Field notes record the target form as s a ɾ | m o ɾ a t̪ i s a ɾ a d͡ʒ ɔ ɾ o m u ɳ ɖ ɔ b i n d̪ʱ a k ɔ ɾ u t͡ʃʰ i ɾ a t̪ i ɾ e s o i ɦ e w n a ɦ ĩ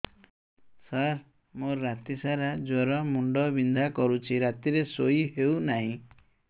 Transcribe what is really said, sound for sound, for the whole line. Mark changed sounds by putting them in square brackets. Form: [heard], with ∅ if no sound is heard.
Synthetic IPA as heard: s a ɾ | m o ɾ a t̪ i s a ɾ a d͡ʒ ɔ ɾ [ɔ] m u ɳ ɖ ɔ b i n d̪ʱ a k ɔ ɾ u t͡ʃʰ i ɾ a t̪ i ɾ e s o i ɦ e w n a ɦ ĩ